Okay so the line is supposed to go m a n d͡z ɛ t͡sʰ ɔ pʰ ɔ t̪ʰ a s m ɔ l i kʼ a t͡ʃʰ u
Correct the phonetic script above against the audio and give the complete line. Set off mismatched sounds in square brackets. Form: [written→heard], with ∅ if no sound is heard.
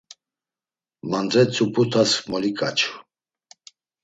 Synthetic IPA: m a n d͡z ɛ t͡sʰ [ɔ→u] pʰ [ɔ→u] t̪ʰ a s m ɔ l i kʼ a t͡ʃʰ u